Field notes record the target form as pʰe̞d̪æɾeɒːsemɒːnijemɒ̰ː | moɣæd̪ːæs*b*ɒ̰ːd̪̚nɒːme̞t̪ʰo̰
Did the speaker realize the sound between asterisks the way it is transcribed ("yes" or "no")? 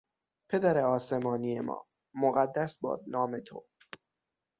yes